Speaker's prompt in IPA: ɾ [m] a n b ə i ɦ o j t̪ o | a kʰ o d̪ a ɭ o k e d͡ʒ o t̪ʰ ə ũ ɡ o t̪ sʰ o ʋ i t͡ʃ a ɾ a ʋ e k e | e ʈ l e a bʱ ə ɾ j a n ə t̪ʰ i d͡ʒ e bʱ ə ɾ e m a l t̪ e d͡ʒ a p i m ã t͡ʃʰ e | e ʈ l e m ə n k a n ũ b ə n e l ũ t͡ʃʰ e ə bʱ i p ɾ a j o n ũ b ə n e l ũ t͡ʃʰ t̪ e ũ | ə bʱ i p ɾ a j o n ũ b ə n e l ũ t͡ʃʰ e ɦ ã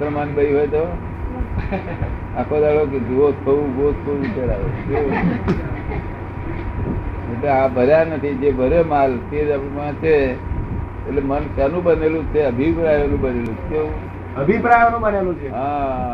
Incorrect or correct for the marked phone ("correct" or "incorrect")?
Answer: correct